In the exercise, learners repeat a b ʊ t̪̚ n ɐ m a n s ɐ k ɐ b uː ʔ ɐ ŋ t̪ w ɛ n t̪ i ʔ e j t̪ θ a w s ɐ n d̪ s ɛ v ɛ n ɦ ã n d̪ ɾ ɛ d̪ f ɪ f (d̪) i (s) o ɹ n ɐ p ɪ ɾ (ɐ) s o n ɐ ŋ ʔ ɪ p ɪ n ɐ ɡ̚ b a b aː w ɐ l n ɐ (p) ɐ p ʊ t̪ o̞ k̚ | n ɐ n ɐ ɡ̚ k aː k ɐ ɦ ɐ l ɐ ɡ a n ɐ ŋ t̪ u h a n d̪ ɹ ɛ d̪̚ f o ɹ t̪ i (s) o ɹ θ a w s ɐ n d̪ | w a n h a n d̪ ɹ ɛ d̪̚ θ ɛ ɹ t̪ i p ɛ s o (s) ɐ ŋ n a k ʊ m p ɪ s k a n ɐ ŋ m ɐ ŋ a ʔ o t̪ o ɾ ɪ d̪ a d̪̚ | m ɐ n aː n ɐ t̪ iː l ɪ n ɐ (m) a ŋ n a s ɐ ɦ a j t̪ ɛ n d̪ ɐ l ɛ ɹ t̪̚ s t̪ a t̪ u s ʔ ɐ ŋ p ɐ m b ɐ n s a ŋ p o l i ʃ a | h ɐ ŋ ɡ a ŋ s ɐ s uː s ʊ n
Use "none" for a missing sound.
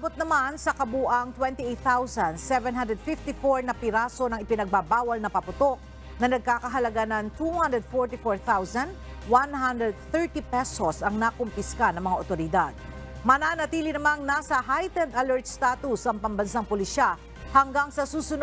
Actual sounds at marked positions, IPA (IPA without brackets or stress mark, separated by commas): t̪, f, a, p, f, s, m